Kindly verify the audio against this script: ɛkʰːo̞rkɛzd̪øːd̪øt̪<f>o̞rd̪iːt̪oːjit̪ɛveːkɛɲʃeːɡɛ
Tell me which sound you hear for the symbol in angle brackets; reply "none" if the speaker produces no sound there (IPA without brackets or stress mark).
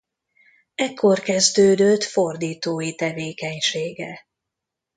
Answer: f